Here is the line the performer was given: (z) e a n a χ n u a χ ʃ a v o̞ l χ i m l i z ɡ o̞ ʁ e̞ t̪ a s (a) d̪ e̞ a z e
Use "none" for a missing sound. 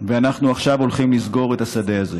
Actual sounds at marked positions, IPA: v, a

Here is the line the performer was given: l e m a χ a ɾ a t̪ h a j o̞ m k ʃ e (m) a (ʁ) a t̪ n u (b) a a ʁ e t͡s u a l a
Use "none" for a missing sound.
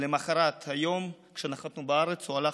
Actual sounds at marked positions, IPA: n, χ, b

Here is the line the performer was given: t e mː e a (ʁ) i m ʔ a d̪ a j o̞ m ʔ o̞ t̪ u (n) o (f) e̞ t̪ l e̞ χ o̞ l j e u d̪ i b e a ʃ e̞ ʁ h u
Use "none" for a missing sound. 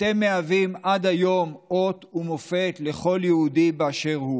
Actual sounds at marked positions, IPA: v, m, f

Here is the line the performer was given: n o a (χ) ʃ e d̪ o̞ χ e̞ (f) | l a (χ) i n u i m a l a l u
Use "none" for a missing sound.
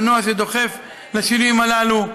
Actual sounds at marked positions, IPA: none, f, ʃ

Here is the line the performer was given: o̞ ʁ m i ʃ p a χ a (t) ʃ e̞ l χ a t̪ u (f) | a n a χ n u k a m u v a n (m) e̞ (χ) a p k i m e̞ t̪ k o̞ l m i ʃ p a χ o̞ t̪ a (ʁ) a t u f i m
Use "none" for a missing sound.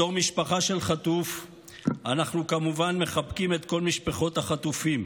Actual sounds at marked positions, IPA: none, f, m, χ, χ

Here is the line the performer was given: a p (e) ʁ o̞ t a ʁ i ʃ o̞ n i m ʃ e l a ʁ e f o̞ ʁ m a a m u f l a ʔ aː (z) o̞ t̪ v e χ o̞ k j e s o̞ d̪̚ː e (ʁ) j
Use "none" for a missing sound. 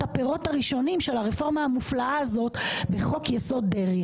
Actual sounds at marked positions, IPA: e, z, ʁ

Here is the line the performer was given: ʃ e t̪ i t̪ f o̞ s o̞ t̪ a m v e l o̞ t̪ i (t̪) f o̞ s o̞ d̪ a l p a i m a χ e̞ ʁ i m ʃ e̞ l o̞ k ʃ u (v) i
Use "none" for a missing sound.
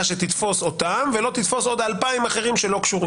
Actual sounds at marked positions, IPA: t̪, ʁ

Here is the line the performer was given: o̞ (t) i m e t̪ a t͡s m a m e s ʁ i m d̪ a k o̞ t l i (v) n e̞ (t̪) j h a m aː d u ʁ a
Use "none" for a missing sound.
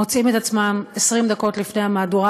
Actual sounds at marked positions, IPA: t͡s, f, none

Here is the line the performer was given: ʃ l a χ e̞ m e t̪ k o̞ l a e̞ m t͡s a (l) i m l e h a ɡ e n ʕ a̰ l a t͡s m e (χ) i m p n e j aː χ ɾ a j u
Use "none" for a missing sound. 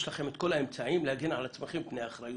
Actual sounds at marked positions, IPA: none, χ

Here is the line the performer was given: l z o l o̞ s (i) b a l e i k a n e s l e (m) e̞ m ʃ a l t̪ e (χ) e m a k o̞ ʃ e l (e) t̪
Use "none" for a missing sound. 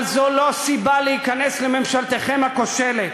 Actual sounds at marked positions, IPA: i, m, χ, e

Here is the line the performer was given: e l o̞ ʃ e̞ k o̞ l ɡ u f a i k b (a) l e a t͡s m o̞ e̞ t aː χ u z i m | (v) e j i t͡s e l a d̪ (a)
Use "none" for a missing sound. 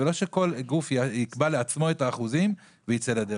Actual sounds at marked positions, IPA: a, v, e

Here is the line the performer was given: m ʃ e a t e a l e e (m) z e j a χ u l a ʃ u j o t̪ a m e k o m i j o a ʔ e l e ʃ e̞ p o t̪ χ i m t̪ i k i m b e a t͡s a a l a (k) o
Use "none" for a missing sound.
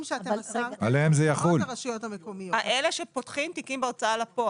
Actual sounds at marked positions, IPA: m, p

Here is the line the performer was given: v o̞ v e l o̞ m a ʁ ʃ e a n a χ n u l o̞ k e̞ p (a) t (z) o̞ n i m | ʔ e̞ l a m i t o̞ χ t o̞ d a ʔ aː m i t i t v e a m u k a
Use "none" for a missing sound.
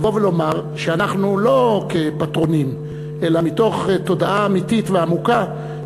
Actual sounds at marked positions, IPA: a, ʁ

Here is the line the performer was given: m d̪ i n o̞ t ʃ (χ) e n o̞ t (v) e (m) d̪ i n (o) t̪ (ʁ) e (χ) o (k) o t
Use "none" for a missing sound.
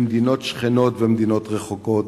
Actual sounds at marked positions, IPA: χ, v, m, o, ʁ, χ, k

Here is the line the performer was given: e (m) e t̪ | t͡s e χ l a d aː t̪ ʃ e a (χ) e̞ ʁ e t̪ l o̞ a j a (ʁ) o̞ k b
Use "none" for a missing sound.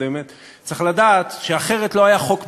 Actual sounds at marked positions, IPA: m, χ, χ

